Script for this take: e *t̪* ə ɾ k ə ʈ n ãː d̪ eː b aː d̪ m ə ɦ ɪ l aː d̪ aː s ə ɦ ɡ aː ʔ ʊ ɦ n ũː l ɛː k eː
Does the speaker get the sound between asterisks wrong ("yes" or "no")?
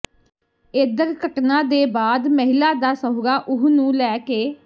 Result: yes